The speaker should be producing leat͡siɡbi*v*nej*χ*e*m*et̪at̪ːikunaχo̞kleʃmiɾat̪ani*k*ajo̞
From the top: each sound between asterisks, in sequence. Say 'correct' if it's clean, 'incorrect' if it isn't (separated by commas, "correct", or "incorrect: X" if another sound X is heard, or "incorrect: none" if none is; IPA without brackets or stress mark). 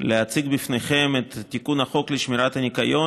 incorrect: f, correct, correct, correct